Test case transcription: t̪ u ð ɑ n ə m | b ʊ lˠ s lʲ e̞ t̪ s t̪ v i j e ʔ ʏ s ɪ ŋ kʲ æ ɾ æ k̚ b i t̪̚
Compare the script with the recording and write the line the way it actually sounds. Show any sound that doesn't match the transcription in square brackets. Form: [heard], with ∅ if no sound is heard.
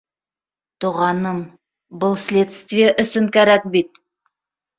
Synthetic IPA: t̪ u [ʁ] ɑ n ə m | b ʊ lˠ s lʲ e̞ t̪ s t̪ v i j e ʔ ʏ s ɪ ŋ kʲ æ ɾ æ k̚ b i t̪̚